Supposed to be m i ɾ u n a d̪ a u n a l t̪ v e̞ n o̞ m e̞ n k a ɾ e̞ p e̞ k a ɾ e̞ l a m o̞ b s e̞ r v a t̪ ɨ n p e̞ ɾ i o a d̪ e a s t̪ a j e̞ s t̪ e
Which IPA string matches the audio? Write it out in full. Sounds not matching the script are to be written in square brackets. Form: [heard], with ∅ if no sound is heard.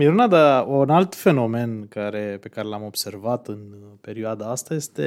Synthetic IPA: m i ɾ u n a d̪ a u n a l t̪ [f] e̞ n o̞ m e̞ n k a ɾ e̞ p e̞ k a ɾ e̞ l a m o̞ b s e̞ r v a t̪ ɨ n p e̞ ɾ i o a d̪ [a] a s t̪ a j e̞ s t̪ e